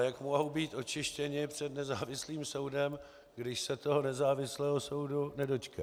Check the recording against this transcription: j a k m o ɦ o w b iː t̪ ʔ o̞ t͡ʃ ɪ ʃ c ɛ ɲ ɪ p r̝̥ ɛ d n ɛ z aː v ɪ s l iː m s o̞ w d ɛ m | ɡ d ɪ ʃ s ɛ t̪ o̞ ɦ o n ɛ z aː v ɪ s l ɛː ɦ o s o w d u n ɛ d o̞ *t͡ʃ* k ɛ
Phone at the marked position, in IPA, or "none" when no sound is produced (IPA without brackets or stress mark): t͡ʃ